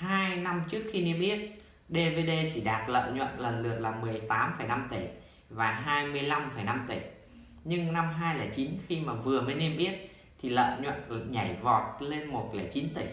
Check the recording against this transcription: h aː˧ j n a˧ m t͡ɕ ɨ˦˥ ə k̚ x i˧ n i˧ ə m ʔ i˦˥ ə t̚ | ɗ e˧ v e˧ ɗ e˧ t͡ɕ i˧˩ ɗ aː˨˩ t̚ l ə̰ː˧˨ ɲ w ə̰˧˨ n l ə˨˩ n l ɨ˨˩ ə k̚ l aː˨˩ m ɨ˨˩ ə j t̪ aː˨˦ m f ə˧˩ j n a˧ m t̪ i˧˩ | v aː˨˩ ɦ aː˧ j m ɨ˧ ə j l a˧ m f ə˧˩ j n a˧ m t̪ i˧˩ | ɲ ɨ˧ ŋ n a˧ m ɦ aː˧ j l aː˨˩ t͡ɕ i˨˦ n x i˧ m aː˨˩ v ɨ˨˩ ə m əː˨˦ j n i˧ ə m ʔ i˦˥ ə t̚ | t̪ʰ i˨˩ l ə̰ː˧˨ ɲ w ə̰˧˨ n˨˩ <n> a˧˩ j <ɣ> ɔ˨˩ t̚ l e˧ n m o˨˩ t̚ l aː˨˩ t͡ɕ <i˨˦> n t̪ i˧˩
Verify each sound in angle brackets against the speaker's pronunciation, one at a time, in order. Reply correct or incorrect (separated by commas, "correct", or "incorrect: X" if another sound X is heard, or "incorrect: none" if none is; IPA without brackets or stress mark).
incorrect: ɲ, incorrect: v, correct